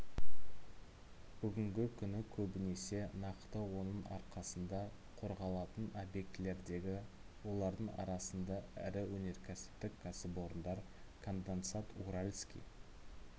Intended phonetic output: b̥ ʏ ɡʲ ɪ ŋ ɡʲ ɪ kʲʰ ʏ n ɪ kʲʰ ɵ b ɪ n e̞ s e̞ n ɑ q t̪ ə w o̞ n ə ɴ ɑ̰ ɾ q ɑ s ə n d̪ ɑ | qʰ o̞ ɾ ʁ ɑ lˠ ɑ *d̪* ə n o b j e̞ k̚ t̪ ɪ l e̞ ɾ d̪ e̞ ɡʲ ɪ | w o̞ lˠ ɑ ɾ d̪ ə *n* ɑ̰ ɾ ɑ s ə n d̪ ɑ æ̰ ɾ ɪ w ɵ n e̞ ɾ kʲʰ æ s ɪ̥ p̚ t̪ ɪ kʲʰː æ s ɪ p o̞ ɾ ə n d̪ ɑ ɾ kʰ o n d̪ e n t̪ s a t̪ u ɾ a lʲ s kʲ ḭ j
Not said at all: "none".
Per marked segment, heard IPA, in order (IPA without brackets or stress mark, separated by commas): t̪, ɴ